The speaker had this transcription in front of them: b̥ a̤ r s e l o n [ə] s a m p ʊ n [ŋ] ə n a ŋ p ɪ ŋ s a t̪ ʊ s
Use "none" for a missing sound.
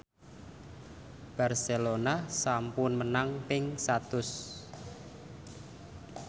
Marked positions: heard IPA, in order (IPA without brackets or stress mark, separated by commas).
a, m